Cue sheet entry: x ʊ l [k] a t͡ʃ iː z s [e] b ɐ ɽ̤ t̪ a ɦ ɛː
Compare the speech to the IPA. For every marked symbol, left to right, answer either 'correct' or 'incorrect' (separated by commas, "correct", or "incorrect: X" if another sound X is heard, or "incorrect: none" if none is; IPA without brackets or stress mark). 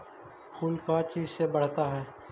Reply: correct, correct